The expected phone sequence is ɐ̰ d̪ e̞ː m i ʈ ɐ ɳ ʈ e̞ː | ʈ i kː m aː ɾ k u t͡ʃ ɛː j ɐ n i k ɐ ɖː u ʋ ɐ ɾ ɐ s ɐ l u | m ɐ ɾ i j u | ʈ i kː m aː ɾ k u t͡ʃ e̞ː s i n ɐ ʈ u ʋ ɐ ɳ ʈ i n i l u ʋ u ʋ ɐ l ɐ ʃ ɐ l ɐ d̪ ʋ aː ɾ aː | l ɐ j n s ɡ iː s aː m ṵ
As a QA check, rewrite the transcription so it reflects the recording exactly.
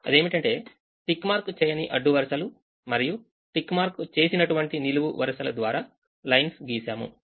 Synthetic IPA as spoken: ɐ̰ d̪ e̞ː m i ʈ ɐ ɳ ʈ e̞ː | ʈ i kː m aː ɾ k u t͡ʃ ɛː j ɐ n i ʔ ɐ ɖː u ʋ ɐ ɾ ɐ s ɐ l u | m ɐ ɾ i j u | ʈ i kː m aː ɾ k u t͡ʃ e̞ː s i n ɐ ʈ u ʋ ɐ ɳ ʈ i n i l u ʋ u ʋ ɐ ɾ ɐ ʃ ɐ l ɐ d̪ ʋ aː ɾ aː | l ɐ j n s ɡ iː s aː m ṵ